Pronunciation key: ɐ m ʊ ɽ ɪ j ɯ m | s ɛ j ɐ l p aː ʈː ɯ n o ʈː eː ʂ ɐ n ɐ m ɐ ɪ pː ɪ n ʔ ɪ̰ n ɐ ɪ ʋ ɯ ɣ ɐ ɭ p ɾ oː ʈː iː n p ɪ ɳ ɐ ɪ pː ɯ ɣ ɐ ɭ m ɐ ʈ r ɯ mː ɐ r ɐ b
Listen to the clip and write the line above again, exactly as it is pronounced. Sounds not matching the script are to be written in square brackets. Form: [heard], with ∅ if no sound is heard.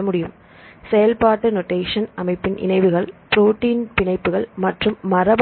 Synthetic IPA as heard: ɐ m ʊ ɽ ɪ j ɯ m | s ɛ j ɐ l p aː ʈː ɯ n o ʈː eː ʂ ɐ n ɐ m ɐ ɪ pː ɪ n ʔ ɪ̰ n ɐ ɪ ʋ ɯ ɣ ɐ ɭ p ɾ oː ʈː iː n p ɪ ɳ ɐ ɪ pː ɯ ɣ ɐ ɭ m ɐ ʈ r ɯ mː ɐ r ɐ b